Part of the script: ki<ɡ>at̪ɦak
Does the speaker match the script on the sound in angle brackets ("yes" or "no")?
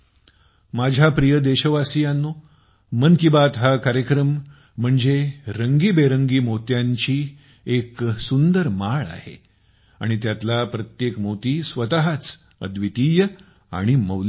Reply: no